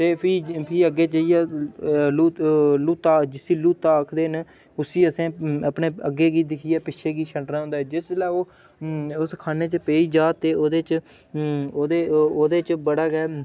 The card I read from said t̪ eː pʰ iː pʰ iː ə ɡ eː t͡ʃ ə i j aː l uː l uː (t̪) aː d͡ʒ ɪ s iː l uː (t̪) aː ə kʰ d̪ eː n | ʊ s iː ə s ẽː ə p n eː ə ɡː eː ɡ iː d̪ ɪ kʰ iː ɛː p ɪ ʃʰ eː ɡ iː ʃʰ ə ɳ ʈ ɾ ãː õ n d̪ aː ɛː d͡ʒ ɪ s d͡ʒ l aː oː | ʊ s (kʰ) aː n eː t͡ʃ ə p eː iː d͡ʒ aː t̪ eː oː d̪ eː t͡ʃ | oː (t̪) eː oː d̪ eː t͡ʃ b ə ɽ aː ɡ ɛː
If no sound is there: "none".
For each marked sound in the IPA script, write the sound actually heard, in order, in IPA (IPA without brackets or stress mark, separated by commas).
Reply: t̪, t̪, kʰ, d̪